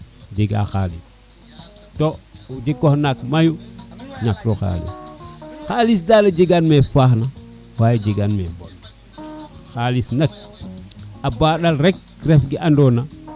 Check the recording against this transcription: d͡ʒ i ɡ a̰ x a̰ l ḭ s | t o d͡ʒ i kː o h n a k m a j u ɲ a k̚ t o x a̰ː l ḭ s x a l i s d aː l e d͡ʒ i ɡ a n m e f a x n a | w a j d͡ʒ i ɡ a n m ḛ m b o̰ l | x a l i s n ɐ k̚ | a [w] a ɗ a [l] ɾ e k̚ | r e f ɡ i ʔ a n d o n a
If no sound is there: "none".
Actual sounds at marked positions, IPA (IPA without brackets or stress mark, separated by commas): b, l